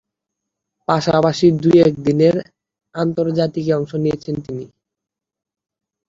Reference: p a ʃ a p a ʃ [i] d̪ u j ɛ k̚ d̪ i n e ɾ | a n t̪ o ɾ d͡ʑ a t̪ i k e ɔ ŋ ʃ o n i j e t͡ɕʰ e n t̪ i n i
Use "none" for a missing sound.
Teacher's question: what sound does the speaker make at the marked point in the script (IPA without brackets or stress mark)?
i